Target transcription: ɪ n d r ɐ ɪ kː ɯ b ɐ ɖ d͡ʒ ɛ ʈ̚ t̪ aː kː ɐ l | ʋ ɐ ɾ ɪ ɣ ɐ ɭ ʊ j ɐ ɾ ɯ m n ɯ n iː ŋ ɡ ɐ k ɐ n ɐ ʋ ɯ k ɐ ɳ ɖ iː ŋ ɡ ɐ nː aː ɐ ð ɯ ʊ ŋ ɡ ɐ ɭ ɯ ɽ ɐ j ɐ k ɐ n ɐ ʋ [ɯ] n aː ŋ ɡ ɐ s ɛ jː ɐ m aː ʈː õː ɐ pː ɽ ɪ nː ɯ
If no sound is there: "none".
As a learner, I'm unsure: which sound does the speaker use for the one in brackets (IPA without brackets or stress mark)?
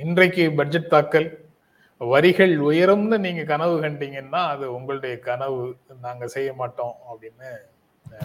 ɯ